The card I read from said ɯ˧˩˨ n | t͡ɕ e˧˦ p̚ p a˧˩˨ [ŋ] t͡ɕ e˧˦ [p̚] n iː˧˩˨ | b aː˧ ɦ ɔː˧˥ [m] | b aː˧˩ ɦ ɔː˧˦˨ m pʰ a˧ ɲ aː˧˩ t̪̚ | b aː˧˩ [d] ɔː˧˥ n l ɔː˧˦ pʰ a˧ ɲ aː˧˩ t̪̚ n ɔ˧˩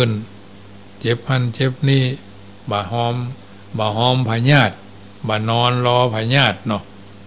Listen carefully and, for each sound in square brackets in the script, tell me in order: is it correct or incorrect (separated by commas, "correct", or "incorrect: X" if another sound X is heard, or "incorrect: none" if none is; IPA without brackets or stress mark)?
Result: incorrect: n, correct, correct, incorrect: n